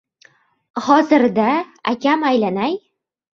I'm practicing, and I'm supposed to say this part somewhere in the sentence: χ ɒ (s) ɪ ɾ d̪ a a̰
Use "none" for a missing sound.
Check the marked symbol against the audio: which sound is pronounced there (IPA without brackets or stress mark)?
z